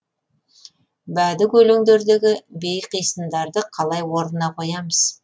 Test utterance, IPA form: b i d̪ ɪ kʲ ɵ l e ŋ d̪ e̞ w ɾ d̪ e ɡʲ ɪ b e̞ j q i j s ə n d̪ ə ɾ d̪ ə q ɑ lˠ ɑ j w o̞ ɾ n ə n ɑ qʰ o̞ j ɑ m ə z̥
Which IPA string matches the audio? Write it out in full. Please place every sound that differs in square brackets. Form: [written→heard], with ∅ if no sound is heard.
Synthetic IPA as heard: b [i→æ] d̪ ɪ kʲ ɵ l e ŋ d̪ e̞ [w→∅] ɾ d̪ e ɡʲ ɪ b e̞ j q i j s ə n d̪ [ə→ɑ] ɾ d̪ ə [q→qʰ] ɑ lˠ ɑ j w o̞ ɾ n ə n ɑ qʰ o̞ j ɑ m ə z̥